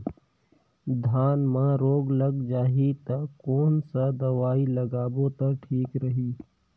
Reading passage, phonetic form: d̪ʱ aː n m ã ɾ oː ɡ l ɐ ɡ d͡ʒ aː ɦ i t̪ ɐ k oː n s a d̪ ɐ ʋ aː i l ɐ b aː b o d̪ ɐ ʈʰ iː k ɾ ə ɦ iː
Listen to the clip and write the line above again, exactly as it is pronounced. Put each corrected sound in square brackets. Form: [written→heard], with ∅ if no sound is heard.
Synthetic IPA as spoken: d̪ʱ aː n m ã ɾ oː ɡ l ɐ ɡ d͡ʒ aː ɦ i t̪ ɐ k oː n s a d̪ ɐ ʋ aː i l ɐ [b→ɡ] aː b o [d̪→t̪] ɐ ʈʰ iː k ɾ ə ɦ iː